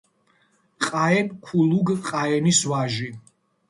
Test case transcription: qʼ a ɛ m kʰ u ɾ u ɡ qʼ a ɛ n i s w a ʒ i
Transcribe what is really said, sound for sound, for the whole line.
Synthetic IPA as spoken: qʼ a ɛ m kʰ u l u ɡ qʼ a ɛ n i s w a ʒ i